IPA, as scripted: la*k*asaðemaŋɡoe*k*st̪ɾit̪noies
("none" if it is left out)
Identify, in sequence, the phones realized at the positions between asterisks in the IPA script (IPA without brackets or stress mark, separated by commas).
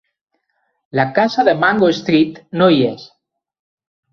k, none